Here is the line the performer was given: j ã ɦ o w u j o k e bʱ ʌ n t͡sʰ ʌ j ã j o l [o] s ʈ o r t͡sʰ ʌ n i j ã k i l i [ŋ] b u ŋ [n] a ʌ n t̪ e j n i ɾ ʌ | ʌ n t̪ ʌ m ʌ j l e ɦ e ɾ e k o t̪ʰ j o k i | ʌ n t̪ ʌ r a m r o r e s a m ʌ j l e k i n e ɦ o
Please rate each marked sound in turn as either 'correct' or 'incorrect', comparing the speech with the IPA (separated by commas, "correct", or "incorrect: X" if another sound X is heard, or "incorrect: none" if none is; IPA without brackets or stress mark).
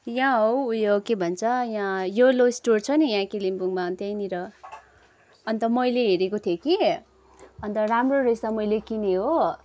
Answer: correct, incorrect: m, incorrect: m